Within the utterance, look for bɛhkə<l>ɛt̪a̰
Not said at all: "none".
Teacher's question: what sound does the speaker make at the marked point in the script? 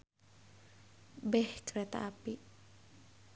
ɾ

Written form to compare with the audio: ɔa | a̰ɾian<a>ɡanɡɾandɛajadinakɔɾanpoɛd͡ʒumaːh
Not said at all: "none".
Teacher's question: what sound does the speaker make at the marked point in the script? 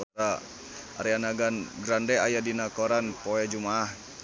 a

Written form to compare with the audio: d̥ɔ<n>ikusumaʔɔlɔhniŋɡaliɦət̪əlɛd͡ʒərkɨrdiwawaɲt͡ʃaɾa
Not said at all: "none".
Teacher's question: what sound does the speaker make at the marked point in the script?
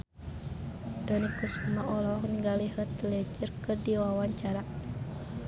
n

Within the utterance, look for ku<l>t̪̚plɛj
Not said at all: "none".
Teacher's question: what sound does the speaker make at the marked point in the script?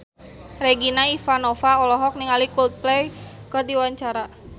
l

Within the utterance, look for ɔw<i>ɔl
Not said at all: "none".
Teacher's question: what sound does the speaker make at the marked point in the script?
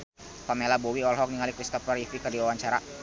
i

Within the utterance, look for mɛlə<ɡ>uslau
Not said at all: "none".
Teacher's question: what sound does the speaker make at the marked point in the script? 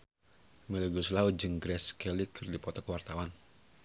ɡ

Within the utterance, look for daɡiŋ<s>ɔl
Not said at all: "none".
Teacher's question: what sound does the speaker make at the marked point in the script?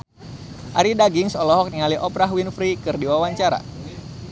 s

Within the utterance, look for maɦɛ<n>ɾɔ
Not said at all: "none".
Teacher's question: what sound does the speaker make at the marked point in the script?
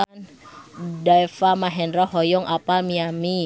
n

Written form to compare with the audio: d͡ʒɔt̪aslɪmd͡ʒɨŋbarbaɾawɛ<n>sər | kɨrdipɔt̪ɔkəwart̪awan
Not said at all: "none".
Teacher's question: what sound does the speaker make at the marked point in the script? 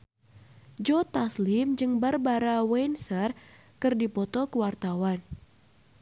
n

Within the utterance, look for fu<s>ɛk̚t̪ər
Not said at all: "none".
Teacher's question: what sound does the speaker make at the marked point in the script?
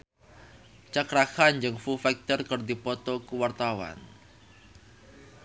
f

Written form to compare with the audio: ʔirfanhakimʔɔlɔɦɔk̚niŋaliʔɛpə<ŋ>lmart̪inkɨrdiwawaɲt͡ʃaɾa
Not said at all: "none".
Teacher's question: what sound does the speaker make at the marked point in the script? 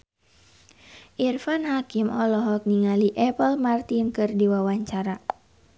none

